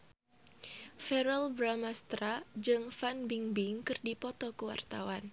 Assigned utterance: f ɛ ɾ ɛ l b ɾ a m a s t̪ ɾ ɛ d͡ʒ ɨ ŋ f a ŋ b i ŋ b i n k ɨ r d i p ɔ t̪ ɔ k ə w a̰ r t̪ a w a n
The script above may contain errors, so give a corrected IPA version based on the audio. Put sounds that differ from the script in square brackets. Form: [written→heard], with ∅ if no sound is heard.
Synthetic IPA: f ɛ ɾ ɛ l b ɾ a m a s t̪ ɾ [ɛ→a] d͡ʒ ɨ ŋ f a [ŋ→n] b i ŋ b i [n→ŋ] k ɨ r d i p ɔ t̪ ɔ k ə w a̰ r t̪ a w a n